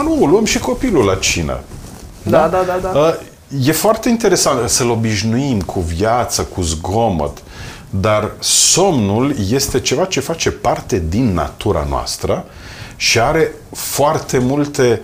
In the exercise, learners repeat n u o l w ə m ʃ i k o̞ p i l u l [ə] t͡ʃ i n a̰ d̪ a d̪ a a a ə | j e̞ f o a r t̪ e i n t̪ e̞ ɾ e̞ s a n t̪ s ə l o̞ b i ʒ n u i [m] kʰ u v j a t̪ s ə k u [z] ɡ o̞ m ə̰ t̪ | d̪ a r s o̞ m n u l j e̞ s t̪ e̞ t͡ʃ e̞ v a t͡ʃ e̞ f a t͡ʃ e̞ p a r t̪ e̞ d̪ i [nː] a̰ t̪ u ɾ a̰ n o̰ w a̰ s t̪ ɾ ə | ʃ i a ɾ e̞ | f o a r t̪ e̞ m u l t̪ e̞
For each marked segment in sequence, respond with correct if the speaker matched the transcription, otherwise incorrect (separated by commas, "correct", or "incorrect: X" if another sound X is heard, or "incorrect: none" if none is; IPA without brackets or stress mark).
incorrect: a, correct, correct, correct